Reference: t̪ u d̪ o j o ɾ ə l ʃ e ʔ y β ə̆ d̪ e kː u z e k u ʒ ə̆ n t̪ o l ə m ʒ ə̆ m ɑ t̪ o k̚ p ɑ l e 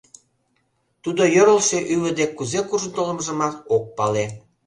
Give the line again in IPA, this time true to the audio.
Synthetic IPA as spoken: t̪ u d̪ o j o ɾ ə l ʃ e ʔ y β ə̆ d̪ e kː u z e k u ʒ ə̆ n t̪ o l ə m ʒ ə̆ m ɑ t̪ o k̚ p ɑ l e